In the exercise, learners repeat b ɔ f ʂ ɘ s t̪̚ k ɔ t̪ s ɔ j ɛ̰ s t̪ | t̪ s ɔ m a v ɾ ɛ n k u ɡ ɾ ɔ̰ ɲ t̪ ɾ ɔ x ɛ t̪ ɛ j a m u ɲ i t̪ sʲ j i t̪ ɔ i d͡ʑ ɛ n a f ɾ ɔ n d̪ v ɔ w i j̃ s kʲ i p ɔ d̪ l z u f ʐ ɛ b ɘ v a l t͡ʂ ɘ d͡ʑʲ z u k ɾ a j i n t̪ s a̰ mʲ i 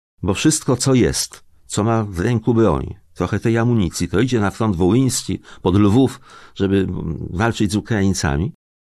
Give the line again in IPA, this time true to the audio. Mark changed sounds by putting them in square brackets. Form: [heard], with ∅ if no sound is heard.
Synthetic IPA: b ɔ f ʂ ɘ s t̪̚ k ɔ t̪ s ɔ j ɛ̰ s t̪ | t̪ s ɔ m a v ɾ ɛ [ŋ] k u [b] ɾ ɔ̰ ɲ t̪ ɾ ɔ x ɛ t̪ ɛ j a m u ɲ i t̪ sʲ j i t̪ ɔ i d͡ʑ ɛ n a f ɾ ɔ n d̪ v ɔ w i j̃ s kʲ i p ɔ d̪ l [v] u f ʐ ɛ b ɘ v a l t͡ʂ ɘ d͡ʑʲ z u k ɾ a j i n t̪ s a̰ mʲ i